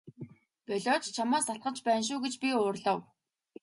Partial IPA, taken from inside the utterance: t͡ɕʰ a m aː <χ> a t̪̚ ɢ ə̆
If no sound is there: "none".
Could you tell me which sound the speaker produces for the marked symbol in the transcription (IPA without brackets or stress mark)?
s